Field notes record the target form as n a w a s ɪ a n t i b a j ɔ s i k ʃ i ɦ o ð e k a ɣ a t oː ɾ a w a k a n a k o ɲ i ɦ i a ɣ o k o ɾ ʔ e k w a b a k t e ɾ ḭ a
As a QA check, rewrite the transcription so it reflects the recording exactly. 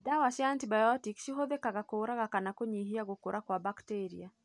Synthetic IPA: d a w a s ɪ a n t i b a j ɔ t i k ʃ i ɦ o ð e k a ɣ a k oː ɾ a ɣ a k a n a k o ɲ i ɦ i a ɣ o k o ɾ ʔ a k w a b a k t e ɾ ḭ a